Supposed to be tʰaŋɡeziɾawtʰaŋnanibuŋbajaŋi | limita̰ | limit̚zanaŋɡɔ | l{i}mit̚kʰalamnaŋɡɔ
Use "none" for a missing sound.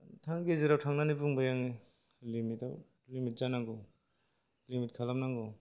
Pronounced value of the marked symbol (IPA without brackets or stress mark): i